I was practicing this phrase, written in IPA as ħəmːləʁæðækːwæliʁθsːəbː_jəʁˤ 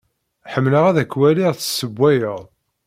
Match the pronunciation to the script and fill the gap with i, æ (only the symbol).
æ